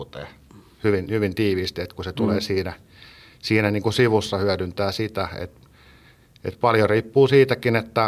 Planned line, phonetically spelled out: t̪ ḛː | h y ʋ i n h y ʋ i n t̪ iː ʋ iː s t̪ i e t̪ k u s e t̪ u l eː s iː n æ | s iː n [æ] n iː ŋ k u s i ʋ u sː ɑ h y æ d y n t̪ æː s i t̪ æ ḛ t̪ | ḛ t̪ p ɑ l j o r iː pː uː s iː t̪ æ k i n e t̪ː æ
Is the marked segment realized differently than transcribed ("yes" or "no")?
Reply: no